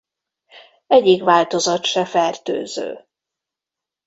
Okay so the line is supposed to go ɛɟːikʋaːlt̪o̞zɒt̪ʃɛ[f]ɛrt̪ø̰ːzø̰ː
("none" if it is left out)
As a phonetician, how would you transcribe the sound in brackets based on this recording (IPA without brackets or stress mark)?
f